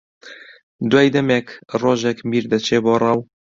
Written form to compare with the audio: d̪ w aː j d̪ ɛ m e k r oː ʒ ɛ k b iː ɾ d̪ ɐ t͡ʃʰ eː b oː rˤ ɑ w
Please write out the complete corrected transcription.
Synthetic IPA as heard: d̪ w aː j d̪ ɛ m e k r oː ʒ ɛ k m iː ɾ d̪ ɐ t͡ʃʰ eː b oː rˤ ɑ w

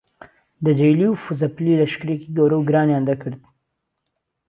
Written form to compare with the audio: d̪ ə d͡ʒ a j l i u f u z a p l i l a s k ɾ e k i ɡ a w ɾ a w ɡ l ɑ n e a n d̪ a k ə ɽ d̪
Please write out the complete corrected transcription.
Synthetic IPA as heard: d̪ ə d͡ʒ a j l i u f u z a p l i l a ʃ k ɾ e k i ɡ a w ɾ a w ɡ ɾ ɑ n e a n d̪ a k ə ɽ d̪

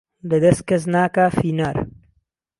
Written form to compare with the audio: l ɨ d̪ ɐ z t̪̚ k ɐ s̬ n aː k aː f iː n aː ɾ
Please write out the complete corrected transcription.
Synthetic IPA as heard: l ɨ d̪ ɐ s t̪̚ k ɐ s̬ n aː k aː f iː n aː ɾ

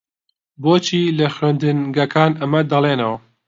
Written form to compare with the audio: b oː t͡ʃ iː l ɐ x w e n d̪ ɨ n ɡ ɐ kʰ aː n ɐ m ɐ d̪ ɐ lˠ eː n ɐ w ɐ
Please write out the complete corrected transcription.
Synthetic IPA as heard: b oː t͡ʃ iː l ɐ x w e n d̪ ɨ n ɡ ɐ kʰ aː n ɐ m ɐ d̪ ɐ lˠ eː n ɐ w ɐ

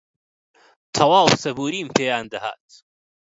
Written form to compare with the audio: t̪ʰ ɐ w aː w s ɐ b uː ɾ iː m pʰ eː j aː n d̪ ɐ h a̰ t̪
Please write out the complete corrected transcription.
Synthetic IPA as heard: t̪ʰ ɐ w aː w s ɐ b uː ɾ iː m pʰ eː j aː n d̪ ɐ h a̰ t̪

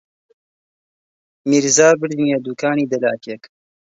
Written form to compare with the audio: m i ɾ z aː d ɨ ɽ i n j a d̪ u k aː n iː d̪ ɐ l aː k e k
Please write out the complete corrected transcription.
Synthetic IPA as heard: m i ɾ z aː b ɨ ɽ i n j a d̪ u k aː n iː d̪ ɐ l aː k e k

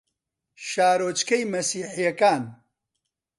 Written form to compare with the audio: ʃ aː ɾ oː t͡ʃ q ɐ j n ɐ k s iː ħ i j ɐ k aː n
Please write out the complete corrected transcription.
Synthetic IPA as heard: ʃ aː ɾ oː t͡ʃ k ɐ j m ɐ s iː ħ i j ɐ k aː n

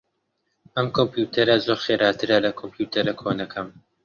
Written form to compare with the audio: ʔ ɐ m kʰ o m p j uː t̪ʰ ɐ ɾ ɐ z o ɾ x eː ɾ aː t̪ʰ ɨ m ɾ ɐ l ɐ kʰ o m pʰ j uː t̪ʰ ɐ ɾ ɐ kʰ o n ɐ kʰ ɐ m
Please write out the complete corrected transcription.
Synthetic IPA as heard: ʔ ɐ m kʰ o m p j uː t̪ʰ ɐ ɾ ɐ z o ɾ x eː ɾ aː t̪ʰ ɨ ɾ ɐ l ɐ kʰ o m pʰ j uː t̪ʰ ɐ ɾ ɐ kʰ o n ɐ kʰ ɐ m

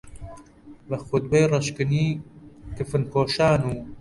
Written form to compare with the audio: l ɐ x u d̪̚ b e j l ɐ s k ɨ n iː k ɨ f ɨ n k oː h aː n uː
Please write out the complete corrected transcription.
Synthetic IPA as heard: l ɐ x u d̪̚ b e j r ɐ ʃ k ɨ n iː k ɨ f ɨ n k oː ʃ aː n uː

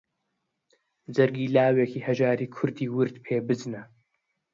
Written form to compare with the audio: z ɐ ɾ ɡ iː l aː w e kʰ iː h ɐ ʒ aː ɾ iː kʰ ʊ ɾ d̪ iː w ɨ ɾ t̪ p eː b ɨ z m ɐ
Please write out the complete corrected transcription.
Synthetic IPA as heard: z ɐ ɾ ɡ iː l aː w e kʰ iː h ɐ ʒ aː ɾ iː kʰ ʊ ɾ d̪ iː w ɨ ɾ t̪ pʰ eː b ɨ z n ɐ

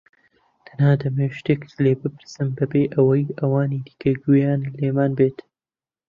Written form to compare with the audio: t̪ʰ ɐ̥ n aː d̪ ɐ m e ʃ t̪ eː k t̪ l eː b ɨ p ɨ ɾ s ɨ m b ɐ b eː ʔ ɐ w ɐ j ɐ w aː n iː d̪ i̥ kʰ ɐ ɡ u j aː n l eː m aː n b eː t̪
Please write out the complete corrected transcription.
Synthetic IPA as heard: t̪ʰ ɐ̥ n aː d̪ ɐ m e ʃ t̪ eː k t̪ l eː b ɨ p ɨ ɾ s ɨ m b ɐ b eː ʔ ɐ w ɐ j ɐ w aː n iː d̪ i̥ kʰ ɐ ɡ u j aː n l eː m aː n b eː t̪

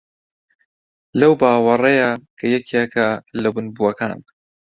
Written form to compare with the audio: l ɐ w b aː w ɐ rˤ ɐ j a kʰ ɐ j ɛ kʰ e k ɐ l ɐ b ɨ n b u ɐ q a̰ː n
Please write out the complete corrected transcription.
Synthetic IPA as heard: l ɐ w b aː w ɐ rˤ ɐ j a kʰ ɐ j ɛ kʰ e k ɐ l ɐ b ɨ n b u ɐ k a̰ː n

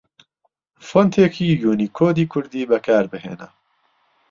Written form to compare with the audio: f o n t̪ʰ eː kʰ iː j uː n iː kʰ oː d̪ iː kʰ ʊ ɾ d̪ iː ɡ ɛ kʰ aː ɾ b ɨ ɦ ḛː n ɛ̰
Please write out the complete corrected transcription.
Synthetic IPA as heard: f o n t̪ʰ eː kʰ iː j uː n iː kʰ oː d̪ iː kʰ ʊ ɾ d̪ iː b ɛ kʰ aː ɾ b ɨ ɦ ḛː n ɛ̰

